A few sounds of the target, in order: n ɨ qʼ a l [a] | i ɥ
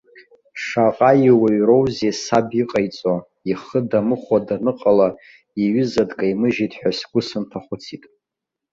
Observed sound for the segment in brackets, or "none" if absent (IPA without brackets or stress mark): a